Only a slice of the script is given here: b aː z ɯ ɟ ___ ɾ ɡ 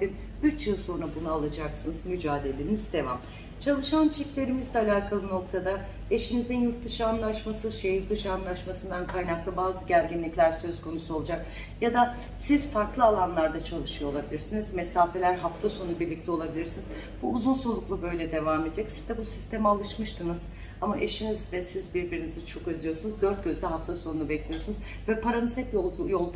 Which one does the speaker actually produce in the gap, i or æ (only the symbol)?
æ